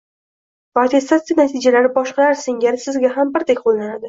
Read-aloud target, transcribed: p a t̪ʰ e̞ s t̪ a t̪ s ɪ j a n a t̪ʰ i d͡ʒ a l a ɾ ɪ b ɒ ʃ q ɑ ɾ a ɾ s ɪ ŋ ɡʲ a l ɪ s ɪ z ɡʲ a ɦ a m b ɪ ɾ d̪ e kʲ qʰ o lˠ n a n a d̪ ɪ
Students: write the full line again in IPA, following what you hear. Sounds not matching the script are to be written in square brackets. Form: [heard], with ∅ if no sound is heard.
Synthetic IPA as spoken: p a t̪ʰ e̞ s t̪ a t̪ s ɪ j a n a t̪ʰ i d͡ʒ a l a ɾ ɪ b ɒ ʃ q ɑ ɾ a ɾ s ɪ ŋ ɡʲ a [ɾ] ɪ s ɪ z ɡʲ a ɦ a m b ɪ ɾ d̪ e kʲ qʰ o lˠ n a n a d̪ ɪ